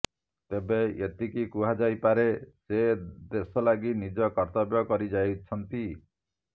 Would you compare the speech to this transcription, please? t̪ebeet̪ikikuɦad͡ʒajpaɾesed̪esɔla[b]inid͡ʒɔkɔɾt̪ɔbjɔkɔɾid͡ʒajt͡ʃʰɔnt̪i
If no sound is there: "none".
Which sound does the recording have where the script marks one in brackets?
ɡ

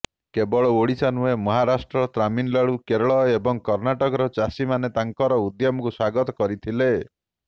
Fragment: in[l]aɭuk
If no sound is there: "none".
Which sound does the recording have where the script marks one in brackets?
l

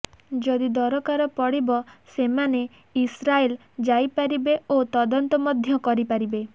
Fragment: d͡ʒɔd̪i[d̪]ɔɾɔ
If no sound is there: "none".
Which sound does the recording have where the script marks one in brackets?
d̪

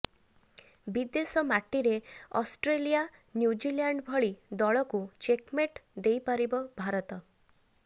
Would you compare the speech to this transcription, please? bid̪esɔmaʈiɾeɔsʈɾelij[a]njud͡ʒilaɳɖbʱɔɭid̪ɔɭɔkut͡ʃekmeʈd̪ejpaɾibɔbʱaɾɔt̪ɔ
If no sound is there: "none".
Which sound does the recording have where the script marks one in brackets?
a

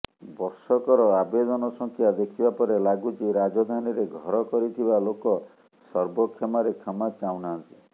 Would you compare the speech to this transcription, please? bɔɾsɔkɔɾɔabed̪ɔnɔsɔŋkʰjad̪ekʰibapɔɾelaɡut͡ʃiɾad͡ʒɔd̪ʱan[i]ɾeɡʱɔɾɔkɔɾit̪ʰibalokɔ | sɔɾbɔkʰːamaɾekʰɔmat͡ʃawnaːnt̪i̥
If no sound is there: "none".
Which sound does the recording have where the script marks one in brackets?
i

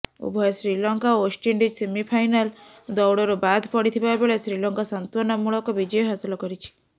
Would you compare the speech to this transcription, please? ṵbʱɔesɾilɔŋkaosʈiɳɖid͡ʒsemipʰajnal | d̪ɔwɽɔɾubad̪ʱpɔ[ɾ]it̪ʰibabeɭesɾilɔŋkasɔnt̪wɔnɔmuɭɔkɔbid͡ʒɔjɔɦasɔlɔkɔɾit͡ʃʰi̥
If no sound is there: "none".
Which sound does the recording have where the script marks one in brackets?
ɽ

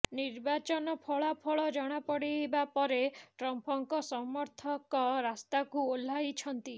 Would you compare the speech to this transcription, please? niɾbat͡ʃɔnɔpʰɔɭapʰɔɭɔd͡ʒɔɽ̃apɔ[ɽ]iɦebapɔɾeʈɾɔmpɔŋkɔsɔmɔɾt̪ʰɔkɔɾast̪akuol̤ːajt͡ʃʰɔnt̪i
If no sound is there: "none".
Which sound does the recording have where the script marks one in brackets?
ɽ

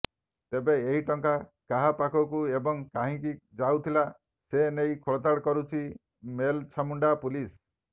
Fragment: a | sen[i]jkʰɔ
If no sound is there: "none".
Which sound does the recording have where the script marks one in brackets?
e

